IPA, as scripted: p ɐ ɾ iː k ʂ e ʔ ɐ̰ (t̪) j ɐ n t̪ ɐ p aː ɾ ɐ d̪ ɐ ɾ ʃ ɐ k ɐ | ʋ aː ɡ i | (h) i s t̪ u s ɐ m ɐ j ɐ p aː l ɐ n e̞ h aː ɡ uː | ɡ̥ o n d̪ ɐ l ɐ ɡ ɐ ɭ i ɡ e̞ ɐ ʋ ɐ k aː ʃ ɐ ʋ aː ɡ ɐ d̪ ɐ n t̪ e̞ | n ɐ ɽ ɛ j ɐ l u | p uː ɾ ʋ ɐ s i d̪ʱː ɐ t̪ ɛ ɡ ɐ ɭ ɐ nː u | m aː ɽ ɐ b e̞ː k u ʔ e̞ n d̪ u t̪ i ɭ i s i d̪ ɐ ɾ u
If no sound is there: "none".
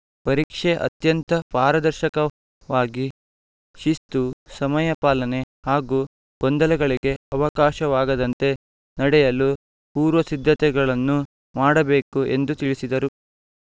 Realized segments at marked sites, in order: t̪, ʃ

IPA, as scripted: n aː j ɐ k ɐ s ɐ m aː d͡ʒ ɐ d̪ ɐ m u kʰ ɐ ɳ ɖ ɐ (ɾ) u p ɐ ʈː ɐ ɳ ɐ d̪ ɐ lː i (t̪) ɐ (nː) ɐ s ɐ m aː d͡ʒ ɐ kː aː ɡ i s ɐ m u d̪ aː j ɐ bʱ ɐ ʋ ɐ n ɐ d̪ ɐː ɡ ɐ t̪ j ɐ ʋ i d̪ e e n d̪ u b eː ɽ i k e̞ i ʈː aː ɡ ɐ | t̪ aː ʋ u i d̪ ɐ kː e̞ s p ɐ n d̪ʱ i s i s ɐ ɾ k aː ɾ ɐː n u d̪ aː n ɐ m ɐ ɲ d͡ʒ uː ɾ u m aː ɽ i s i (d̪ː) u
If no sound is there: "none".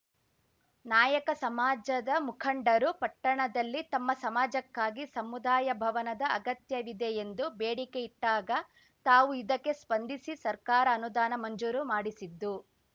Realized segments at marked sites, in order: ɾ, t̪, mː, d̪ː

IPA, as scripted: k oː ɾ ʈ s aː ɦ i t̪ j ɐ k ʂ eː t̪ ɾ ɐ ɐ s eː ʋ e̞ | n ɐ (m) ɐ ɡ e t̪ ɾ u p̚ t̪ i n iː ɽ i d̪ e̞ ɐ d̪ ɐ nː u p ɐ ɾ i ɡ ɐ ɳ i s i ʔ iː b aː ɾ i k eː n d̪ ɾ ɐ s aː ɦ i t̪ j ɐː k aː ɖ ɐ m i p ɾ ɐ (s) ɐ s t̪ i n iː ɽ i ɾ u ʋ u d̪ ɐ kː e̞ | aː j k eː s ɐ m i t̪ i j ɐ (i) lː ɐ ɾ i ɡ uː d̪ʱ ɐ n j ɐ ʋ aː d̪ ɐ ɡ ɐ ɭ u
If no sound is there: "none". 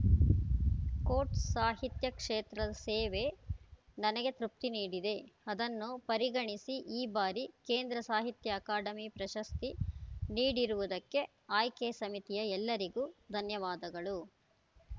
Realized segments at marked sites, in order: n, ʃ, ɛ

